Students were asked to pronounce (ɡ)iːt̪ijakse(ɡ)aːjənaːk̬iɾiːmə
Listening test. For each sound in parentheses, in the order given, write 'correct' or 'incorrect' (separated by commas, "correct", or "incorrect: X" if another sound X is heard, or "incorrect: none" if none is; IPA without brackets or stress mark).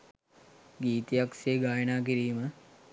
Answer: correct, correct